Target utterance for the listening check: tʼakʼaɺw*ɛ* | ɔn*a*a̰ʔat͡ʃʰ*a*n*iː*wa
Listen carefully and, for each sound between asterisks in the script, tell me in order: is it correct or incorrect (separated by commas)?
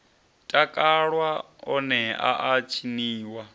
incorrect, incorrect, incorrect, correct